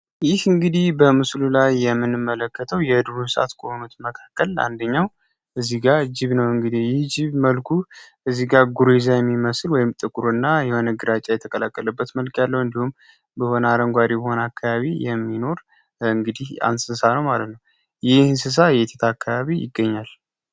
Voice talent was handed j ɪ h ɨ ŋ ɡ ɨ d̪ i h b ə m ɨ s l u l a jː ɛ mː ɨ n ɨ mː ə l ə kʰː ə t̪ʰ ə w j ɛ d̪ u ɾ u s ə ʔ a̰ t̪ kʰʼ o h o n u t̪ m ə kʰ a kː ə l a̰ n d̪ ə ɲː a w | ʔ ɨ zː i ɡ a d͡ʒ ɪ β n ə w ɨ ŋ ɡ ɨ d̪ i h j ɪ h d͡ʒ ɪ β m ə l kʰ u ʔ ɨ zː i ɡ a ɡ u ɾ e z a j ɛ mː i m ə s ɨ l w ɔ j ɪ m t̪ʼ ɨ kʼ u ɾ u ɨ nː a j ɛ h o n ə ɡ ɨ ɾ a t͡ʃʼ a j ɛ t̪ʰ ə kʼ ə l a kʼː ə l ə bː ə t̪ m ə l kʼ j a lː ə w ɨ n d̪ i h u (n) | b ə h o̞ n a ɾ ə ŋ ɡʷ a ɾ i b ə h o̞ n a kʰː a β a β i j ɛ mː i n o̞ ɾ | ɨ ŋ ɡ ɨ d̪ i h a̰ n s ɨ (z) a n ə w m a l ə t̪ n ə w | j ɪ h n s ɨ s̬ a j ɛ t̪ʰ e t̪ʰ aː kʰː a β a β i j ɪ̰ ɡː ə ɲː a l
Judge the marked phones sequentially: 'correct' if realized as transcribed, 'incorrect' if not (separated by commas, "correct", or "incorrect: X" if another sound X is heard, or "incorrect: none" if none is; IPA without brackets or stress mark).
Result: incorrect: m, incorrect: s